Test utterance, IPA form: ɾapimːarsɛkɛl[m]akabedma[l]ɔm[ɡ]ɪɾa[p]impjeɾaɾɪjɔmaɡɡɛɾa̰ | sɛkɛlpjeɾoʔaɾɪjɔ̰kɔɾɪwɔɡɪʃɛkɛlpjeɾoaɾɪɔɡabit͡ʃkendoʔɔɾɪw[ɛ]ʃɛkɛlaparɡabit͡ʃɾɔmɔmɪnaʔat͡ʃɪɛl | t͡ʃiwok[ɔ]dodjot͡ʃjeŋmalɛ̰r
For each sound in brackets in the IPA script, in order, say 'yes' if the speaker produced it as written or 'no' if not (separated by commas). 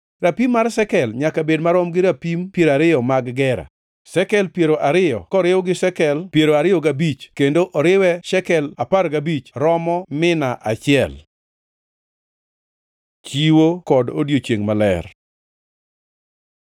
no, no, yes, yes, yes, yes